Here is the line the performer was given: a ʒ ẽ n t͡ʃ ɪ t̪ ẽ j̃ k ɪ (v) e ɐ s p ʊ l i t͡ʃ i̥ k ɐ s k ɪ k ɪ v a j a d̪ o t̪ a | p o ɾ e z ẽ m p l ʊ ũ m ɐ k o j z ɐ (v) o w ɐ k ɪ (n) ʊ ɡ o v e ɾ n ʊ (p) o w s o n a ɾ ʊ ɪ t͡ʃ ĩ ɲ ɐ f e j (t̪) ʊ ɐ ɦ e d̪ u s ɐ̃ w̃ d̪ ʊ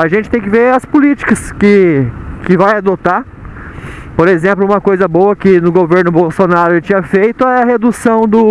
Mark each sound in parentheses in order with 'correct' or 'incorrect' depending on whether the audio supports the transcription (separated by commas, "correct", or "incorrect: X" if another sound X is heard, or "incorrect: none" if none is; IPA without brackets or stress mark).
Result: correct, incorrect: b, correct, incorrect: b, correct